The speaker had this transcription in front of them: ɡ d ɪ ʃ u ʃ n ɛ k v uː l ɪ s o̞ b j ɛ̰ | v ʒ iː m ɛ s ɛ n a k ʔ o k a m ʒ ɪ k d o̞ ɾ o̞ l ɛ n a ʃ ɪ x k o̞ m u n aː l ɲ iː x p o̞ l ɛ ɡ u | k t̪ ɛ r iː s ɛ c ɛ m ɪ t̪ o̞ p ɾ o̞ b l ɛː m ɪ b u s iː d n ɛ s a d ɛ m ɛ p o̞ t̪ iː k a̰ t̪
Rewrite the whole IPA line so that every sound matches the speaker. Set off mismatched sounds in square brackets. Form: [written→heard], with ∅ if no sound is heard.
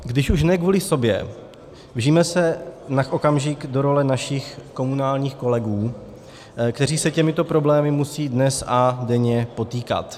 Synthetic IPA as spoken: ɡ d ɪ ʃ u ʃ n ɛ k v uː l ɪ s o̞ b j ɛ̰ | v ʒ iː m ɛ s ɛ n a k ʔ o k a m ʒ ɪ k d o̞ ɾ o̞ l ɛ n a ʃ ɪ x k o̞ m u n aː l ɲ iː x [p→k] o̞ l ɛ ɡ [u→uː] | k t̪ ɛ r iː s ɛ c ɛ m ɪ t̪ o̞ p ɾ o̞ b l ɛː m ɪ [b→m] u s iː d n ɛ s a d ɛ [m→ɲ] ɛ p o̞ t̪ iː k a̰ t̪

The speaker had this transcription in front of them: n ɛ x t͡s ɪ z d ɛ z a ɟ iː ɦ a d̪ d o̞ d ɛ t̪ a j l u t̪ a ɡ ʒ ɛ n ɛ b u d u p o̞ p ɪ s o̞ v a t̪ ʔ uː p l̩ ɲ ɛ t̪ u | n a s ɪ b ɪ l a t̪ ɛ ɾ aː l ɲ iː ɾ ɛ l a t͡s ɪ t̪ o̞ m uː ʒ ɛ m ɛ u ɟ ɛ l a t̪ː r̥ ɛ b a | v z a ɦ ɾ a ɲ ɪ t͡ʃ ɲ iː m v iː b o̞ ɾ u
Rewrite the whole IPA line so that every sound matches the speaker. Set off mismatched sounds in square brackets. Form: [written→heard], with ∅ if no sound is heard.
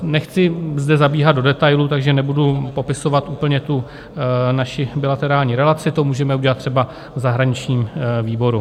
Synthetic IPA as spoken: n ɛ x t͡s ɪ z d ɛ z a [ɟ→b] iː ɦ a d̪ d o̞ d ɛ t̪ a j l u t̪ a ɡ ʒ ɛ n ɛ b u d u p o̞ p ɪ s o̞ v a t̪ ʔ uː p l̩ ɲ ɛ t̪ u | n a [s→ʃ] ɪ b ɪ l a t̪ ɛ ɾ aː l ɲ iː ɾ ɛ l a t͡s ɪ t̪ o̞ m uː ʒ ɛ m ɛ u ɟ ɛ l a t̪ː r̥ ɛ b a | v z a ɦ ɾ a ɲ ɪ t͡ʃ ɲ iː m v iː b o̞ ɾ u

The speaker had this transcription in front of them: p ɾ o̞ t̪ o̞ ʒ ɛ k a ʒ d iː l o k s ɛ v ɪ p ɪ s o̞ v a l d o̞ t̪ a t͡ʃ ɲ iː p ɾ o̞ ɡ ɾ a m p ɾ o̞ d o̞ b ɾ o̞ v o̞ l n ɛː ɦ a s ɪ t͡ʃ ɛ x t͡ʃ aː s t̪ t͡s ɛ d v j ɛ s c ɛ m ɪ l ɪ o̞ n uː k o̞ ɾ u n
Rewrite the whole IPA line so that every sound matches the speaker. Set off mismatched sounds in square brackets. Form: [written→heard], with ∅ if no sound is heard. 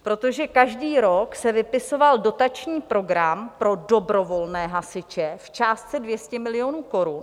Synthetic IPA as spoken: p ɾ o̞ t̪ o̞ ʒ ɛ k a ʒ d iː [l→ɾ] o k s ɛ v ɪ p ɪ s o̞ v a l d o̞ t̪ a t͡ʃ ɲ iː p ɾ o̞ ɡ ɾ a m p ɾ o̞ d o̞ b ɾ o̞ v o̞ l n ɛː ɦ a s ɪ t͡ʃ ɛ [x→f] t͡ʃ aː s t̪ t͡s ɛ d v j ɛ s c ɛ m ɪ l ɪ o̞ n uː k o̞ ɾ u n

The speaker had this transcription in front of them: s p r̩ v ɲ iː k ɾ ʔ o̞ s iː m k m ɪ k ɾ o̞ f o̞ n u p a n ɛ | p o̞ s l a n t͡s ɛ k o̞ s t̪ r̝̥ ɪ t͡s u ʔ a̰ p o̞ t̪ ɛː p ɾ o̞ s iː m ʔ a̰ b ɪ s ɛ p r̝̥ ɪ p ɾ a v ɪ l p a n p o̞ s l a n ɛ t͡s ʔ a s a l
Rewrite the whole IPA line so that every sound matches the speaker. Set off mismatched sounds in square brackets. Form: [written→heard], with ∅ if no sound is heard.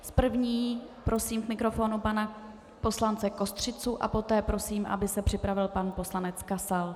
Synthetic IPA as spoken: s p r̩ v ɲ iː [k→p] ɾ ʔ o̞ s iː m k m ɪ k ɾ o̞ f o̞ n u p a n [ɛ→a] | p o̞ s l a n t͡s ɛ k o̞ s t̪ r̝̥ ɪ t͡s u ʔ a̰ p o̞ t̪ ɛː p ɾ o̞ s iː m ʔ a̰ b ɪ s ɛ p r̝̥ ɪ p ɾ a v ɪ l p a n p o̞ s l a n ɛ t͡s [ʔ→k] a s a l

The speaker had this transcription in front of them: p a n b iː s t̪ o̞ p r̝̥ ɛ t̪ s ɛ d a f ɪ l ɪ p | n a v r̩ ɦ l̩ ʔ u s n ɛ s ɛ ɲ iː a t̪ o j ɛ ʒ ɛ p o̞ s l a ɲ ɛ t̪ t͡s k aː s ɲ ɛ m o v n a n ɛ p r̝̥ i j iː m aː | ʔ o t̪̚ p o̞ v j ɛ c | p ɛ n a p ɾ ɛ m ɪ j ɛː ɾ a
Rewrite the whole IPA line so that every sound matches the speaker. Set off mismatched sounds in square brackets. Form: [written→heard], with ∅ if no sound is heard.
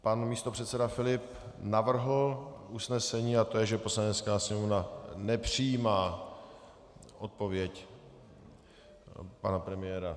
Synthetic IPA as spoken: p a n [b→m] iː s t̪ o̞ p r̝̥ ɛ t̪ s ɛ d a f ɪ l ɪ p | n a v r̩ ɦ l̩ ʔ u s n ɛ s ɛ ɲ iː a t̪ o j ɛ ʒ ɛ p o̞ s l a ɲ ɛ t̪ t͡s k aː s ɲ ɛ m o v n a n ɛ p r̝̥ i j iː m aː | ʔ o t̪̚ p o̞ v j ɛ c | p [ɛ→a] n a p ɾ ɛ m ɪ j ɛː ɾ a

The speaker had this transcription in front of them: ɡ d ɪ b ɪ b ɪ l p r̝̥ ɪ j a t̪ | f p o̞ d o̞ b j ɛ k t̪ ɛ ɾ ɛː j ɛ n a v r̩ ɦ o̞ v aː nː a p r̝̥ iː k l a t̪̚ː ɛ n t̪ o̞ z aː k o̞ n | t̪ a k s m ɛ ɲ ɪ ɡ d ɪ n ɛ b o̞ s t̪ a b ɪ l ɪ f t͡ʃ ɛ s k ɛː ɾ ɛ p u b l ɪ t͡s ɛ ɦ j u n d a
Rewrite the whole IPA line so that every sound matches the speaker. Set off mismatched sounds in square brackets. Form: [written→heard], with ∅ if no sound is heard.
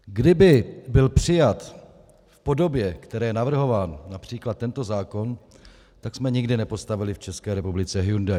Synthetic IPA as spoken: ɡ d ɪ b ɪ b ɪ l p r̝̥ ɪ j a t̪ | f p o̞ d o̞ b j ɛ k t̪ ɛ ɾ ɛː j ɛ n a v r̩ ɦ o̞ v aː nː a p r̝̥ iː k l a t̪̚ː ɛ n t̪ o̞ z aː k o̞ n | t̪ a k s m ɛ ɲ ɪ ɡ d ɪ n ɛ [b→p] o̞ s t̪ a [b→v] ɪ l ɪ f t͡ʃ ɛ s k ɛː ɾ ɛ p u b l ɪ t͡s ɛ ɦ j u n d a

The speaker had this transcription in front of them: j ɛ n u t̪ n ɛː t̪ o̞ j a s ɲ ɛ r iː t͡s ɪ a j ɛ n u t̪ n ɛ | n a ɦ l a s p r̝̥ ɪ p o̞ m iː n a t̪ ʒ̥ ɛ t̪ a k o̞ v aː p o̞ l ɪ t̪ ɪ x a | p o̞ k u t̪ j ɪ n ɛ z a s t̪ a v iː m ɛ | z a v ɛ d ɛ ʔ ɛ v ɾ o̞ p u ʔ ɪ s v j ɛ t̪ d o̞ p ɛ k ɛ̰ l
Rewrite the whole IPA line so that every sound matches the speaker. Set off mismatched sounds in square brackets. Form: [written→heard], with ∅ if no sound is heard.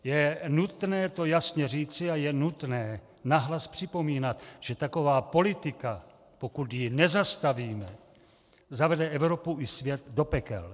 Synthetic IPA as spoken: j ɛ n u t̪ n ɛː t̪ o̞ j a s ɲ ɛ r iː t͡s ɪ a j ɛ n u t̪ n [ɛ→ɛː] | n a ɦ l a s p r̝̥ ɪ p o̞ m iː n a t̪ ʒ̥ ɛ t̪ a k o̞ v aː p o̞ l ɪ t̪ ɪ [x→k] a | p o̞ k u t̪ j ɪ n ɛ z a s t̪ a v iː m ɛ | z a v ɛ d ɛ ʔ ɛ v ɾ o̞ p u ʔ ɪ s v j ɛ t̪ d o̞ p ɛ k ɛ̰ l

